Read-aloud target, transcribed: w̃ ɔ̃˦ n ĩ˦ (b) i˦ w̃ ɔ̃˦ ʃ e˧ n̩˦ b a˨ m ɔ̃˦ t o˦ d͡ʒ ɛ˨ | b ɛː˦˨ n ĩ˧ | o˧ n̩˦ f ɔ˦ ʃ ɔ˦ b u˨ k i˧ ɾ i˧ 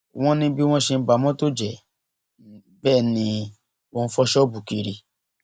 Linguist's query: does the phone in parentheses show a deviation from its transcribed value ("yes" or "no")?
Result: no